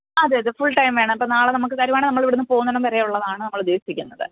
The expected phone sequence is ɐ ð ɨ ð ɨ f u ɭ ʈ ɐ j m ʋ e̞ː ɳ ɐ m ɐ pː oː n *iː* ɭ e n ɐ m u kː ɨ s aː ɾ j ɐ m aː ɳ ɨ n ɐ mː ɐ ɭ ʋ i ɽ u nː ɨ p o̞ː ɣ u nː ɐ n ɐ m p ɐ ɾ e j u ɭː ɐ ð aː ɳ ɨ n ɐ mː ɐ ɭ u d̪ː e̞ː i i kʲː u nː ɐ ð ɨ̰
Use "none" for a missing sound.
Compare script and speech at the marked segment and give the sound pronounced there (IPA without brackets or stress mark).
aː